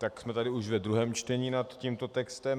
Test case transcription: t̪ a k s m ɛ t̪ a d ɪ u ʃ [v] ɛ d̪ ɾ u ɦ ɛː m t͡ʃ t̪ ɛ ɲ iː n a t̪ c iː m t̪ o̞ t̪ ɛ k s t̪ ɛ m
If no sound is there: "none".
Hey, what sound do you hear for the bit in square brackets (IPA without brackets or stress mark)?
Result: v